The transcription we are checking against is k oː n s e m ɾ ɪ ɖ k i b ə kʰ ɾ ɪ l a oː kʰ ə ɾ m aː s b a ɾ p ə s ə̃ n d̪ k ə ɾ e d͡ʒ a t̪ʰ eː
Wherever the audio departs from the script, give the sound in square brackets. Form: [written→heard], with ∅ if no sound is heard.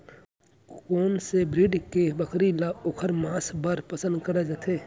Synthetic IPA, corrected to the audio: k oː n s e [m→b] ɾ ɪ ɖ k [i→e] b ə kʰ ɾ [ɪ→i] l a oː kʰ ə ɾ m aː s b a ɾ p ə s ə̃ n d̪ k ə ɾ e d͡ʒ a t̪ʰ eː